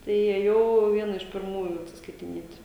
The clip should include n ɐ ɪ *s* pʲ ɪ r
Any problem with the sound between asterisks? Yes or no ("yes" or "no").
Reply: yes